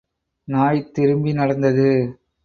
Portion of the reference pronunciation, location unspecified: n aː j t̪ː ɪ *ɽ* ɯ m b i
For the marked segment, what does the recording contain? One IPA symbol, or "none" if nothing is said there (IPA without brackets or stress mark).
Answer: ɾ